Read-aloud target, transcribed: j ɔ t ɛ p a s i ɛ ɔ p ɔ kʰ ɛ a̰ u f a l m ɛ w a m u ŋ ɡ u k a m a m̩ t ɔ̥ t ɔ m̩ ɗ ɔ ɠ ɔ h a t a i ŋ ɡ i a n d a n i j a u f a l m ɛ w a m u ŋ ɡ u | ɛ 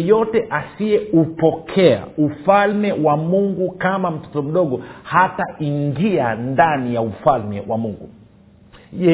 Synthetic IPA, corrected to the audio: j ɔ t ɛ ʔ a s i ɛ u p ɔ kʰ ɛ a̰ u f a l m ɛ w a m u ŋ ɡ u k a m a m̩ t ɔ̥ t ɔ m̩ ɗ ɔ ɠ ɔ h a t a i ŋ ɡ i a n d a n i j a u f a l m ɛ w a m u ŋ ɡ u | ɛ